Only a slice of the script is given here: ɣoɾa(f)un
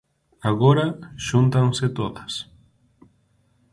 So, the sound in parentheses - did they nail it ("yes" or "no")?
no